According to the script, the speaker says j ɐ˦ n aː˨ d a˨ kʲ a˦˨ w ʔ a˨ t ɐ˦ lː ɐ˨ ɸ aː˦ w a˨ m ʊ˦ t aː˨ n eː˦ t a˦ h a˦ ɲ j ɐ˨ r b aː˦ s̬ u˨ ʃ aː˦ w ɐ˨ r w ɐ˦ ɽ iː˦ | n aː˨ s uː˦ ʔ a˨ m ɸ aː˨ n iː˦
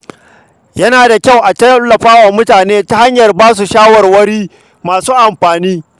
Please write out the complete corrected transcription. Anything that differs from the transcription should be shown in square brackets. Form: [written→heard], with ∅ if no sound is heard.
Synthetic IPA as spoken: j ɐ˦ n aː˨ d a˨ kʲ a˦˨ w ʔ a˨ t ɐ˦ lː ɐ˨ ɸ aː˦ w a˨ m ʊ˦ t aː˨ n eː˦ t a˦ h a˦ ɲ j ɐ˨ r b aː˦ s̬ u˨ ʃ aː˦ w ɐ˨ r w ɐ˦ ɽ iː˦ | [n→m] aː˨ s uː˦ ʔ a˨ m ɸ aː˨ n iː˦